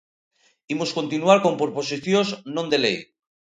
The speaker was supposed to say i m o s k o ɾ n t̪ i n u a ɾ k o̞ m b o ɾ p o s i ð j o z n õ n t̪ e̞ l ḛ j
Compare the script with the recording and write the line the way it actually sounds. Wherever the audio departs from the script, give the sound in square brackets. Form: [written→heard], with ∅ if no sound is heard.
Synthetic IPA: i m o s k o [ɾ→∅] n t̪ i n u a ɾ k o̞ m [b→p] o ɾ p o s i [ð→θ] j o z n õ n [t̪→d̪] e̞ l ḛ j